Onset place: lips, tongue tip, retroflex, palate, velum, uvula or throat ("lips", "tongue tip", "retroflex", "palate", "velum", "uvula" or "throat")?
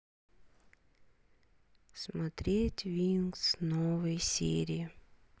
tongue tip